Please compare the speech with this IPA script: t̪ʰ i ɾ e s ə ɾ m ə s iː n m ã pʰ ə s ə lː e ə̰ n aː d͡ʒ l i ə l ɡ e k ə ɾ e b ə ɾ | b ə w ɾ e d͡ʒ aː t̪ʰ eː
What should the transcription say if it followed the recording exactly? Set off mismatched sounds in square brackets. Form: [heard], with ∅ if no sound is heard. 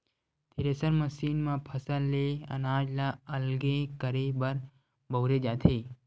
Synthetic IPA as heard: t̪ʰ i ɾ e s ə ɾ m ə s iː n m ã pʰ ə s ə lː e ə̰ n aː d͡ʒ l [a] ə l ɡ e k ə ɾ e b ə ɾ | b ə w ɾ e d͡ʒ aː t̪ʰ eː